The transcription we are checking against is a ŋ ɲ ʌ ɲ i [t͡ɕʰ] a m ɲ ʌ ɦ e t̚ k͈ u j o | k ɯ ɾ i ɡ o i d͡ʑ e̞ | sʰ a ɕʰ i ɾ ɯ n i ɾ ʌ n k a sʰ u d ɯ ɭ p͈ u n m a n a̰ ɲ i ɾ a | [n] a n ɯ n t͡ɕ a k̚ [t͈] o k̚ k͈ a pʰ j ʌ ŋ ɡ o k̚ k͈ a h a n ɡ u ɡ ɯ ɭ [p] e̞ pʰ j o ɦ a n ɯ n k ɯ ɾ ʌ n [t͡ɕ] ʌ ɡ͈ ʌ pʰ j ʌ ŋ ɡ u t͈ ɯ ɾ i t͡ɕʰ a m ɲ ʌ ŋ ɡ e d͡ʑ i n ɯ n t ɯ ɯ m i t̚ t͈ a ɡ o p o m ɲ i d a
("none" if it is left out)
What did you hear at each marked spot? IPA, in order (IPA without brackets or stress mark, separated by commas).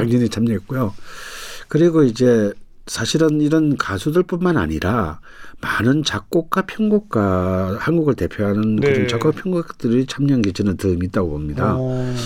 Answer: t͡ɕʰ, m, k͈, t, t͡ɕ